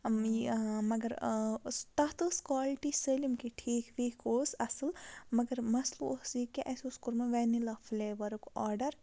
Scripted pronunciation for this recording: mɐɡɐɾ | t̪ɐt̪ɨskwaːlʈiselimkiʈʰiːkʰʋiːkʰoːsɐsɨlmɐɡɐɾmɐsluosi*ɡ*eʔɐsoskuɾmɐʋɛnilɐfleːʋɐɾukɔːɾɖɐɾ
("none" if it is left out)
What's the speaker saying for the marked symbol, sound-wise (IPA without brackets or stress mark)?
k